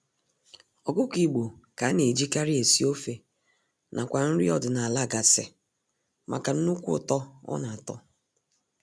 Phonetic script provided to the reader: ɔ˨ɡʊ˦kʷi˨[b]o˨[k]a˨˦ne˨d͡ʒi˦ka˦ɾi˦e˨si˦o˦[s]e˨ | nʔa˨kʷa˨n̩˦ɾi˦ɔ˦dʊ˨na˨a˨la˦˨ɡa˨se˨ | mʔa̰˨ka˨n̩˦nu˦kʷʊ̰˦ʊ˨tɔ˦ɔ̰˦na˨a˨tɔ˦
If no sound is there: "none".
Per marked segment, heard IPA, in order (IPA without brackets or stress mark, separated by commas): ɡ͡b, k, f